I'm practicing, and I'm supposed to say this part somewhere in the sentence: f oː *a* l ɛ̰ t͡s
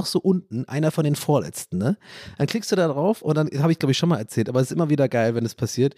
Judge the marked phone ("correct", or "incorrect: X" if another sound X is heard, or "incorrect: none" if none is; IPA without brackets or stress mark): incorrect: ɐ